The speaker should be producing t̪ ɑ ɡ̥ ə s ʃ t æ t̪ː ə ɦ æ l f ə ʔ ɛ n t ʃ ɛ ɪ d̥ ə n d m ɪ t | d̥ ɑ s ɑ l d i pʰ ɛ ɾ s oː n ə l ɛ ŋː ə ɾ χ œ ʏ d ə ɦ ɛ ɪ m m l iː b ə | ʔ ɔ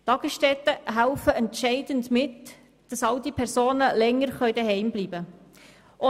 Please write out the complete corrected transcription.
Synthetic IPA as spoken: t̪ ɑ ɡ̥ ə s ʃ t ɛ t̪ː ə ɦ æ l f ə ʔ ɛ n t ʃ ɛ ɪ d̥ ə n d m ɪ t | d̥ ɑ s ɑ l d i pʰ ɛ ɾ s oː n ə l ɛ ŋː ə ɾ χ œ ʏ d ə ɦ ɛ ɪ m b l iː b ə | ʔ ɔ